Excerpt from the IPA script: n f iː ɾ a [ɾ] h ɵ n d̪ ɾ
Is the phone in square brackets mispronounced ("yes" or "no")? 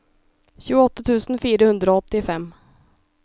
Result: yes